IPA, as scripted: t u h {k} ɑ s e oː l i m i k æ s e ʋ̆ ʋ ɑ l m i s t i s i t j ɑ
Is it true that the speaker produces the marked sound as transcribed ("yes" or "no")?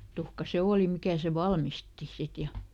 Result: yes